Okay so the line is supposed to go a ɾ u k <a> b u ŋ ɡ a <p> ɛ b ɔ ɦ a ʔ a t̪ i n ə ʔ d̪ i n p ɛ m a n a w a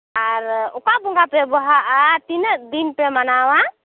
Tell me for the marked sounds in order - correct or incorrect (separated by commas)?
correct, correct